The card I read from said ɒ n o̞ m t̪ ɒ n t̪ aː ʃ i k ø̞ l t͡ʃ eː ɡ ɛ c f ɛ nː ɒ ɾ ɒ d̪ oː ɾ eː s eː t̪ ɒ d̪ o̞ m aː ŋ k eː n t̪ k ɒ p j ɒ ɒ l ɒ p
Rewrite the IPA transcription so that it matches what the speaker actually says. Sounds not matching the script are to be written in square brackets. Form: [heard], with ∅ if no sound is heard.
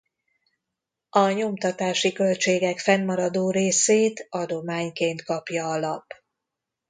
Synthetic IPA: ɒ [ɲ] o̞ m t̪ ɒ [∅] t̪ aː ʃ i k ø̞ l t͡ʃ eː ɡ ɛ [k] f ɛ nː ɒ ɾ ɒ d̪ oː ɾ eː s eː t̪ ɒ d̪ o̞ m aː [ɲ] k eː n t̪ k ɒ p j ɒ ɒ l ɒ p